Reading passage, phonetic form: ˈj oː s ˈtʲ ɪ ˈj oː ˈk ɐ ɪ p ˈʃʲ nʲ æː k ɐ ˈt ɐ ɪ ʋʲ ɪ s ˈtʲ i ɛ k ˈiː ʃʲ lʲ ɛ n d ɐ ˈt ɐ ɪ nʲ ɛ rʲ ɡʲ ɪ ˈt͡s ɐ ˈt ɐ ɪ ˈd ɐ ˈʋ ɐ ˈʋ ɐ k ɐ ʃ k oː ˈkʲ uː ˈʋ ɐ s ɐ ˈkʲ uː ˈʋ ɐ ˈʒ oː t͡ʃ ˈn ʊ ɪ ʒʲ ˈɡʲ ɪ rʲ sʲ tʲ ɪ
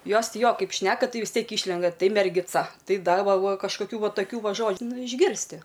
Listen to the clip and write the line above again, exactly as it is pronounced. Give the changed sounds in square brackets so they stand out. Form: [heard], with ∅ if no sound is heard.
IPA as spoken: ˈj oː s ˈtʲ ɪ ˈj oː ˈk ɐ ɪ p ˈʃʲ nʲ æː k ɐ ˈt ɐ ɪ ʋʲ ɪ s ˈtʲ i ɛ k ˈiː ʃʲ lʲ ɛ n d ɐ ˈt ɐ ɪ [mʲ] ɛ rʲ ɡʲ ɪ ˈt͡s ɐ ˈt ɐ ɪ ˈd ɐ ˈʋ ɐ ˈʋ ɐ k ɐ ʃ k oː ˈkʲ uː ˈʋ ɐ [t] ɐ ˈkʲ uː ˈʋ ɐ ˈʒ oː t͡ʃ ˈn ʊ ɪ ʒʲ ˈɡʲ ɪ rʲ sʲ tʲ ɪ